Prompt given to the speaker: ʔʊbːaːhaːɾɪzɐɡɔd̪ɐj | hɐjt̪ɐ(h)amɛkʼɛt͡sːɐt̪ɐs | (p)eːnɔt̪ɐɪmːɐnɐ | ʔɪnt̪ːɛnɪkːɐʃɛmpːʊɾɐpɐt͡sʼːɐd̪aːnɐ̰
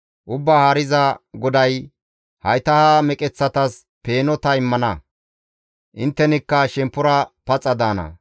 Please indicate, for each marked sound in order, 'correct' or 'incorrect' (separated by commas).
correct, correct